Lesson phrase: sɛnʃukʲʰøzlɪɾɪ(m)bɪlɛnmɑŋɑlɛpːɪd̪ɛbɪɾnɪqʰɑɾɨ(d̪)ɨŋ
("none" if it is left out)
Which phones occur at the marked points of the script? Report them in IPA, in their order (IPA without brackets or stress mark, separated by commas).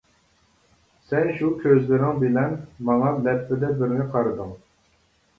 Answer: ŋ, d̪